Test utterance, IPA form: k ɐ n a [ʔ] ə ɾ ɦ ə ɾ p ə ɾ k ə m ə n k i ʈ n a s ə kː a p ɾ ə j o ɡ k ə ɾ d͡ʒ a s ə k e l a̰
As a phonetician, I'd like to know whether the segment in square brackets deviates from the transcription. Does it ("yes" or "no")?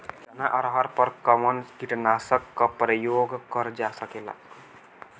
no